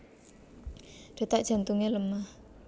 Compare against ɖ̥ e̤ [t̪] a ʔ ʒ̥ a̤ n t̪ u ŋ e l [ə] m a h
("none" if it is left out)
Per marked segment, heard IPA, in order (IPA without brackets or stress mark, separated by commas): t̪, ə